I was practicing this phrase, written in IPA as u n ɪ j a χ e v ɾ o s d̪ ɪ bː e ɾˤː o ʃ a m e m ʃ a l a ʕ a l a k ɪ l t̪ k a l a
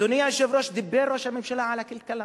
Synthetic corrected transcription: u n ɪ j a ʃ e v ɾ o ʃ d̪ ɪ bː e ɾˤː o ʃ a m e m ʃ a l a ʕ a l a k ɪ l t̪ k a l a